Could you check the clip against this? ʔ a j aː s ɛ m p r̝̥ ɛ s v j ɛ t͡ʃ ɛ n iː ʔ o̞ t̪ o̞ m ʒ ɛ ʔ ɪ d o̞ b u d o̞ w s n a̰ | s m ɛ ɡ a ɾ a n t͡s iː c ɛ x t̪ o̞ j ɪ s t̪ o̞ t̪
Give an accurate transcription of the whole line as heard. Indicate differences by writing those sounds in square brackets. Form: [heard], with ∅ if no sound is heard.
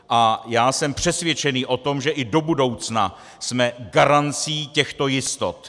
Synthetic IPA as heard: ʔ a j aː s ɛ m p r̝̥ ɛ s v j ɛ t͡ʃ ɛ n iː ʔ o̞ t̪ o̞ m ʒ ɛ ʔ ɪ d o̞ b u d o̞ w [t͡s] n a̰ | s m ɛ ɡ a ɾ a n t͡s iː c ɛ x t̪ o̞ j ɪ s t̪ o̞ t̪